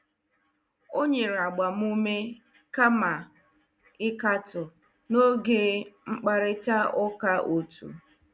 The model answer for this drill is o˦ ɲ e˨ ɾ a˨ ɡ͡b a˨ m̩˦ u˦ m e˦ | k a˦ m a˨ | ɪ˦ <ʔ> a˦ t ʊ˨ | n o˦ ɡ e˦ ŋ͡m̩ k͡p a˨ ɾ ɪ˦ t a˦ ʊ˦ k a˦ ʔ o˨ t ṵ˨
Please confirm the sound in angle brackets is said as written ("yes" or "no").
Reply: no